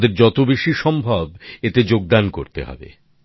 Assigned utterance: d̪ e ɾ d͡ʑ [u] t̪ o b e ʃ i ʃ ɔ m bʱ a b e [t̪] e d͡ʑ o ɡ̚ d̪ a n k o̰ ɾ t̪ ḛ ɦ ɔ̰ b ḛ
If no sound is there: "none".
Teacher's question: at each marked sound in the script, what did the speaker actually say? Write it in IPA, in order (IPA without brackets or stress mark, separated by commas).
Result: ɔ, t̪